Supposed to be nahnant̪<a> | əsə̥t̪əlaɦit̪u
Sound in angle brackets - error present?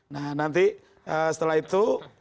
yes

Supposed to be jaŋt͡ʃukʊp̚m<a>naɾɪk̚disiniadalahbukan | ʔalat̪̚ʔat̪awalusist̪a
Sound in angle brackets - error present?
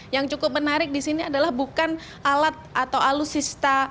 yes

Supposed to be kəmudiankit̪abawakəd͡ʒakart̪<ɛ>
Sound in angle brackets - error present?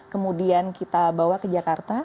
yes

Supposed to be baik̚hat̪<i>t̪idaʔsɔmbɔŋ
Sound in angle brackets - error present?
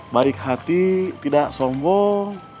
no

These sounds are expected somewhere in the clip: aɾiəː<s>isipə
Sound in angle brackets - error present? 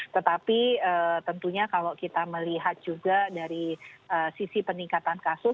no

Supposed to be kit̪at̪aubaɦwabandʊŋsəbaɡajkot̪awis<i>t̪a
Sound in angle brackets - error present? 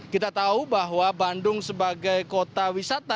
yes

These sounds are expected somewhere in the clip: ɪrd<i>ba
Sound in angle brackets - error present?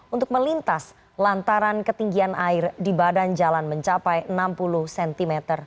no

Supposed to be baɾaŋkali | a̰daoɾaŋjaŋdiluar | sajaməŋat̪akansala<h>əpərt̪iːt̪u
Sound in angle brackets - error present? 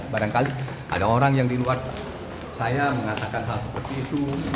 yes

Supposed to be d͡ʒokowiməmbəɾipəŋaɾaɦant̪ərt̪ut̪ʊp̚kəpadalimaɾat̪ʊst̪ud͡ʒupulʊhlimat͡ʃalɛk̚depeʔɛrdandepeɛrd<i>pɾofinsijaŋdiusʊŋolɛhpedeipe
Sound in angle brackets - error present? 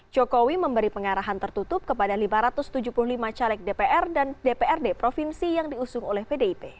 yes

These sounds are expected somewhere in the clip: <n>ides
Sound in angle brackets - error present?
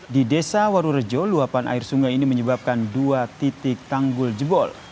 yes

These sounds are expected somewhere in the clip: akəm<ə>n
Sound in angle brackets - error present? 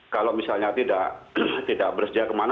yes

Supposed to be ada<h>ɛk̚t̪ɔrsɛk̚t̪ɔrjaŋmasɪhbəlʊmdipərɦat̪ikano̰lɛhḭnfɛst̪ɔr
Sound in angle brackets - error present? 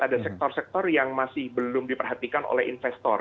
yes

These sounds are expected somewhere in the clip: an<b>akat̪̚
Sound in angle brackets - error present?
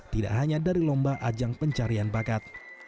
no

